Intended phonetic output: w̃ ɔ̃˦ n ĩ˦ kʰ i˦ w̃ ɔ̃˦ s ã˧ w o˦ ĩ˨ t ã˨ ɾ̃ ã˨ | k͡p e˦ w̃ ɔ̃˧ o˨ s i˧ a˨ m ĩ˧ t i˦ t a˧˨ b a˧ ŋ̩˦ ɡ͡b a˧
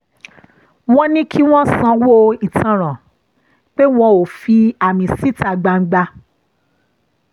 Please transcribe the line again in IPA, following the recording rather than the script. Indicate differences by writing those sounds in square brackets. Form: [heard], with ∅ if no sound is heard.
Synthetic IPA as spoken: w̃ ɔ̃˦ n ĩ˦ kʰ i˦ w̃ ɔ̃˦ s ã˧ w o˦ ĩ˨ t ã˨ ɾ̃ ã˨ | k͡p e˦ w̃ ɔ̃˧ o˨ [f] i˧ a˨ m ĩ˧ [s] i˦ t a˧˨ [ɡ͡b] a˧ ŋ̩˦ ɡ͡b a˧